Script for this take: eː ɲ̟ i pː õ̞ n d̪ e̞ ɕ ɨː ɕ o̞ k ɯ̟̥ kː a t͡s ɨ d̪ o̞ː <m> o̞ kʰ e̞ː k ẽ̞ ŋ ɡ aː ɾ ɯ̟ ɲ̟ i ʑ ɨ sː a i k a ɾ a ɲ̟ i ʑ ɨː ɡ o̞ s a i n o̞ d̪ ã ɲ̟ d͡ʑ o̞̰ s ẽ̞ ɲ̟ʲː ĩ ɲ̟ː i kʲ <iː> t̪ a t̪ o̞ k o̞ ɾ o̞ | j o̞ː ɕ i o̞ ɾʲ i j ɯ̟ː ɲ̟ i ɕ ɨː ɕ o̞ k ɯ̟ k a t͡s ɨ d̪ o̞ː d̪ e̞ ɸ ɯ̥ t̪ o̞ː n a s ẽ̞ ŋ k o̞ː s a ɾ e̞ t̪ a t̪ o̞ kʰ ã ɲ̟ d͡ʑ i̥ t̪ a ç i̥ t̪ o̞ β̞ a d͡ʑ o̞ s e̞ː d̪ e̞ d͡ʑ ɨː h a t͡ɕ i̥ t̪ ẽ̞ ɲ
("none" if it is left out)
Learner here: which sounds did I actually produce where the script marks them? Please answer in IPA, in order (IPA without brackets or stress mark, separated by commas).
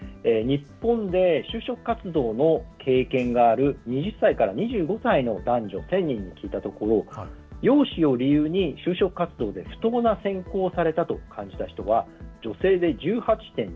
n, iː